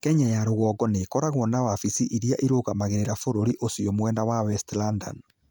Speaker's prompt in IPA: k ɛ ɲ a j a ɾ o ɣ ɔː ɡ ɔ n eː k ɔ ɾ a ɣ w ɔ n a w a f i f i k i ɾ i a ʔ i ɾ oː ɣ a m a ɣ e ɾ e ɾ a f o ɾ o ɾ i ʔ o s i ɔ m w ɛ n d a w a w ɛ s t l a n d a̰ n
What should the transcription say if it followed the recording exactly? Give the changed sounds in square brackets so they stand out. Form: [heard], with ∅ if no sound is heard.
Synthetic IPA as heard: k ɛ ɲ a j a ɾ o ɣ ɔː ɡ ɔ n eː k ɔ ɾ a ɣ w ɔ n a w a f i [s] i [ʔ] i ɾ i a ʔ i ɾ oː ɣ a m a ɣ e ɾ e ɾ a f o ɾ o ɾ i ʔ o s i ɔ m w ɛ n d a w a w ɛ s t l a n d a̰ n